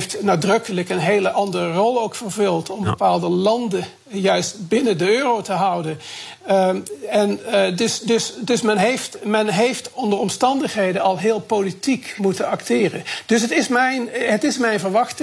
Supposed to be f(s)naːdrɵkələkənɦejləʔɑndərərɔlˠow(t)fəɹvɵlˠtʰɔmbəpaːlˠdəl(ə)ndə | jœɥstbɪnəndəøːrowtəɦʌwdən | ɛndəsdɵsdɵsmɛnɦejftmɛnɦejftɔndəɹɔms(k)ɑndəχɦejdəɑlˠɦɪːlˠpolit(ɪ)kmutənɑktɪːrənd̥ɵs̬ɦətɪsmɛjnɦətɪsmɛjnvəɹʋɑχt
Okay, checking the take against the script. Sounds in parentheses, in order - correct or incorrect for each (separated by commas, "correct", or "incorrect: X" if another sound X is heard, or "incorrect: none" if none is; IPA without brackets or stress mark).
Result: incorrect: t, incorrect: k, incorrect: ɑ, incorrect: t, incorrect: i